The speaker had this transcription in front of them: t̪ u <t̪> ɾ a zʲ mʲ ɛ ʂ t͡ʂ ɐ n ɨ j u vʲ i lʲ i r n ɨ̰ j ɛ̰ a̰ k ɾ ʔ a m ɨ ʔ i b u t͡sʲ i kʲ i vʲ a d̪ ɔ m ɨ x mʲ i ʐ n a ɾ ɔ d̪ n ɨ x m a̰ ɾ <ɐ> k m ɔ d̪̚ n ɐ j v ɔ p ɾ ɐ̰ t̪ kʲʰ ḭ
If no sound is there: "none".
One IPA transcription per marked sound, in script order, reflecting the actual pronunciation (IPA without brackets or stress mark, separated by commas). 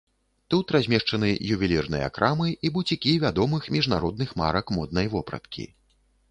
t̪, ɐ